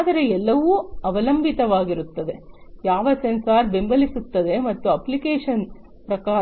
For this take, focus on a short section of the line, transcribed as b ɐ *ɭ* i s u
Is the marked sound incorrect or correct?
incorrect